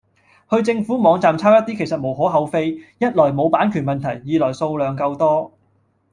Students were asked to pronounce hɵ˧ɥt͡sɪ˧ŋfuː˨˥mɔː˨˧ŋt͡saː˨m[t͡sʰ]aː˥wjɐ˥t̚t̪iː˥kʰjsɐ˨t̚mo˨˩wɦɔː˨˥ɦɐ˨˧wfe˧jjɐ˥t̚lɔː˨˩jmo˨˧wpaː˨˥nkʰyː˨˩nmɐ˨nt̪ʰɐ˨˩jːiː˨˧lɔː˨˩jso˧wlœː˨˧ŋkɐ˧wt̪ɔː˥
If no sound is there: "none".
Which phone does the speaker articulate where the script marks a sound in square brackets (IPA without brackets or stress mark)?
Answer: t͡sʰ